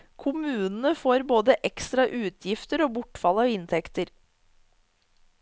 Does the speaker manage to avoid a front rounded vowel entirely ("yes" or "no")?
yes